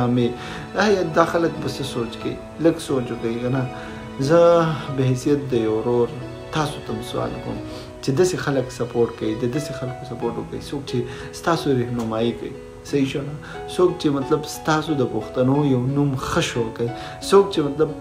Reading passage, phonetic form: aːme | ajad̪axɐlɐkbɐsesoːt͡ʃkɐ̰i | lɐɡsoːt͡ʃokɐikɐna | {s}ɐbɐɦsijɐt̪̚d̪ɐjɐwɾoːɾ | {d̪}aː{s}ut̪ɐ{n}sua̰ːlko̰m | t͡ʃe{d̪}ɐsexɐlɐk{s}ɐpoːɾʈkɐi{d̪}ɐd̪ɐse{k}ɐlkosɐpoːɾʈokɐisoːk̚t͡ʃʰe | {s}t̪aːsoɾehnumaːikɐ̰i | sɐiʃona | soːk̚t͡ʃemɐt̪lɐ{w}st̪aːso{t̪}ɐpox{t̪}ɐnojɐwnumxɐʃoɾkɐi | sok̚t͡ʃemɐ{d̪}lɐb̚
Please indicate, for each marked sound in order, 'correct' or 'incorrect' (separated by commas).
incorrect, incorrect, correct, incorrect, correct, correct, correct, incorrect, correct, incorrect, incorrect, correct, incorrect